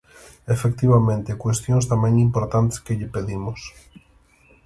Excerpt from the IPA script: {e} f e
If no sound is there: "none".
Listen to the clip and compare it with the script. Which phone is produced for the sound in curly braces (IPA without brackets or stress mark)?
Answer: e